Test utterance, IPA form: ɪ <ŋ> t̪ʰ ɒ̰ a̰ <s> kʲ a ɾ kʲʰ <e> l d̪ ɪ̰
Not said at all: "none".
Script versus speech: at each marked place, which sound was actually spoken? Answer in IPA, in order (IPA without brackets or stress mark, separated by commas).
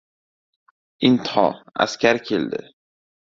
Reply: n, s, e